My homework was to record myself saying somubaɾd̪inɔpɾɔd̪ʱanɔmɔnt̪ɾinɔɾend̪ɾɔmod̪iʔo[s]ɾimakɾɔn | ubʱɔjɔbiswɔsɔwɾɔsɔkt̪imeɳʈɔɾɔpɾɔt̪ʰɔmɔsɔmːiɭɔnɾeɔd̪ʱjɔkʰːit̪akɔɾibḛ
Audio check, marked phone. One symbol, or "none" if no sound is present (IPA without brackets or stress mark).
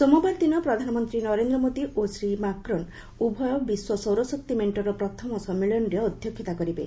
s